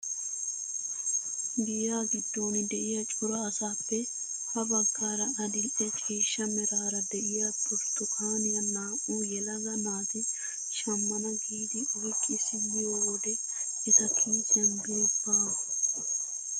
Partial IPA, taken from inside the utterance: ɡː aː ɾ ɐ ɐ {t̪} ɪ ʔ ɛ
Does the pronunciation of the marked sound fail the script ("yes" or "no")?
yes